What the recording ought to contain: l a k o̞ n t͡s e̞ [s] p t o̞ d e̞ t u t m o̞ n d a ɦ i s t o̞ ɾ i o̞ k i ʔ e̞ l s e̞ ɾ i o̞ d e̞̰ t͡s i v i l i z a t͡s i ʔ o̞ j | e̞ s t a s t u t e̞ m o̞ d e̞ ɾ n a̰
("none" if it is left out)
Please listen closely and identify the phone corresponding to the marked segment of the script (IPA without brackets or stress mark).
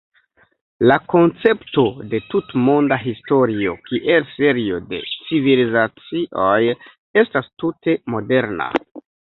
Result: none